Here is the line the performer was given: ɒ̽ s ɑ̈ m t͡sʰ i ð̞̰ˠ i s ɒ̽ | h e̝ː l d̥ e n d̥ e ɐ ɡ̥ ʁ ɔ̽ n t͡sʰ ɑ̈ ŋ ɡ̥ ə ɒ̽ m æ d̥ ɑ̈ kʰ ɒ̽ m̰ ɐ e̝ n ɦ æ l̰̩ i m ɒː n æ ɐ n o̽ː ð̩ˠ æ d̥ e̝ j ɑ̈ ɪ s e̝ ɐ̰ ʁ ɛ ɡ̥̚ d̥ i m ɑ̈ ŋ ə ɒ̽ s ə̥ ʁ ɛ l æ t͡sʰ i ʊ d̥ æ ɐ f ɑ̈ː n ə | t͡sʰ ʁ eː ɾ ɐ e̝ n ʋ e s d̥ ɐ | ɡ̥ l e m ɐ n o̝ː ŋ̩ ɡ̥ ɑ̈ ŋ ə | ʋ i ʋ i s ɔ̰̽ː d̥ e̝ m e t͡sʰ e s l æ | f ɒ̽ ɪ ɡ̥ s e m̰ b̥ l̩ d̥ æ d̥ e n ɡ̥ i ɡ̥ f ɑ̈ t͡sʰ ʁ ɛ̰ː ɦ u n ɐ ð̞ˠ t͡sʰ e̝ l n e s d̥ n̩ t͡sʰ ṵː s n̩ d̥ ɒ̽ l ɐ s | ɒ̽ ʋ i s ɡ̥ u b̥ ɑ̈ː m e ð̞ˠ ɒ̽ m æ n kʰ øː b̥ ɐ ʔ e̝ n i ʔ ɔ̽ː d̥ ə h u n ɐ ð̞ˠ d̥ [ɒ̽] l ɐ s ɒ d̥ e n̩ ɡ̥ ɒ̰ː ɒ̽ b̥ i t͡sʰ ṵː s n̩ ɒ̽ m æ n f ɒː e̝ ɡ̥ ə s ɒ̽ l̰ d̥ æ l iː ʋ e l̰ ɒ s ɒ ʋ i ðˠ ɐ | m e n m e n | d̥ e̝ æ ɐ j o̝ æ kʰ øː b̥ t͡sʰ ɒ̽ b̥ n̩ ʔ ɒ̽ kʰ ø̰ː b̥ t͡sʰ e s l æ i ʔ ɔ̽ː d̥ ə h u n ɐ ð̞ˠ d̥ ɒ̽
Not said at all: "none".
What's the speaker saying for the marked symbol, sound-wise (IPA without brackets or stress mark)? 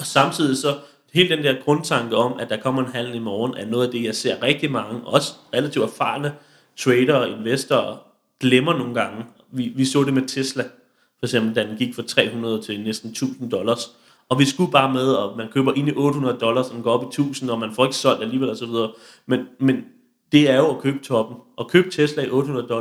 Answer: ɒ̽